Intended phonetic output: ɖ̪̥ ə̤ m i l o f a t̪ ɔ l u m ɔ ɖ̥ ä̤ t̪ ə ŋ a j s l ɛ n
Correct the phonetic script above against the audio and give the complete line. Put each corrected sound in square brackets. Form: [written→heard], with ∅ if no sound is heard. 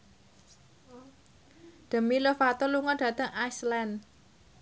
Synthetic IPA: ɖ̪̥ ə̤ m i l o f a t̪ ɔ l u [m→ŋ] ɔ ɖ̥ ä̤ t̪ ə ŋ a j s l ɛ n